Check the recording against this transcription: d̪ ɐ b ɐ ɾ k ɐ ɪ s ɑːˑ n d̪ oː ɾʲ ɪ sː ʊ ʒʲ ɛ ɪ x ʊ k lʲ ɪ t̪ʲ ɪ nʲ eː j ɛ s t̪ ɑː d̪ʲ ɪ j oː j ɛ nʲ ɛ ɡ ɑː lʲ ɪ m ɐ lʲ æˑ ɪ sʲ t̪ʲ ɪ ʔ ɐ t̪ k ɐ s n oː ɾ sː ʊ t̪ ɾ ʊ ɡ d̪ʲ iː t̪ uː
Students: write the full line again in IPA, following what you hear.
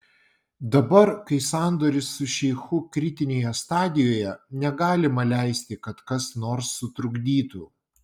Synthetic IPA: d̪ ɐ b ɐ ɾ k ɐ ɪ s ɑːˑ n d̪ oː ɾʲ ɪ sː ʊ ʃʲ ɛ ɪ x ʊ k ɾʲ ɪ t̪ʲ ɪ nʲ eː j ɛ s t̪ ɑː d̪ʲ ɪ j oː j ɛ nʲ ɛ ɡ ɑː lʲ ɪ m ɐ lʲ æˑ ɪ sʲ t̪ʲ ɪ k ɐ t̪ k ɐ s n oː ɾ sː ʊ t̪ ɾ ʊ ɡ d̪ʲ iː t̪ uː

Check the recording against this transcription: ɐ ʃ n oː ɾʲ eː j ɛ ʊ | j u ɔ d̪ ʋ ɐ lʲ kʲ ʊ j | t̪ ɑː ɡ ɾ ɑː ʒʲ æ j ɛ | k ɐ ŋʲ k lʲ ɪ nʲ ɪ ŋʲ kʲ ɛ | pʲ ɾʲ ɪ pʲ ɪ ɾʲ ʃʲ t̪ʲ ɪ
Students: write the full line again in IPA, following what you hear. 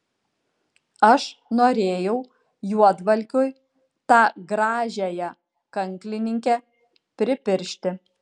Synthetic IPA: ɐ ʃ n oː ɾʲ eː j ɛ ʊ | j u ɔ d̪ ʋ ɐ lʲ kʲ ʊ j | t̪ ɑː ɡ ɾ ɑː ʒʲ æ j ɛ | k ɐ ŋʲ k lʲ ɪ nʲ ɪ ŋʲ kʲ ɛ | pʲ ɾʲ ɪ pʲ ɪ ɾʲ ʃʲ t̪ʲ ɪ

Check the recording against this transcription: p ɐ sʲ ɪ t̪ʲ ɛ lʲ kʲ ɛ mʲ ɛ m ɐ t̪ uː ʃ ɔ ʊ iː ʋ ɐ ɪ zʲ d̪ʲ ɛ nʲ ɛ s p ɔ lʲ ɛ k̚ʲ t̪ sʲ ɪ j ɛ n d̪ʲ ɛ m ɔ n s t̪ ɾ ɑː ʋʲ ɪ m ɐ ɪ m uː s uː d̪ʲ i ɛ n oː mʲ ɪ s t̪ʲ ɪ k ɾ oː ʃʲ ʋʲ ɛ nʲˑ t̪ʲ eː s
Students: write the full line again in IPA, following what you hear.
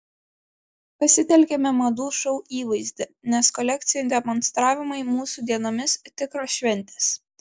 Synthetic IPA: p ɐ sʲ ɪ t̪ʲ ɛ lʲ kʲ ɛ mʲ ɛ m ɐ d̪ uː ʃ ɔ ʊ iː ʋ ɐ ɪ zʲ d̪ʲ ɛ nʲ ɛ s k ɔ lʲ ɛ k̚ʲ t̪ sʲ ɪ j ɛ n d̪ʲ ɛ m ɔ n s t̪ ɾ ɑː ʋʲ ɪ m ɐ ɪ m uː s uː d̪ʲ i ɛ n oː mʲ ɪ s t̪ʲ ɪ k ɾ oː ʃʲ ʋʲ ɛ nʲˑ t̪ʲ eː s

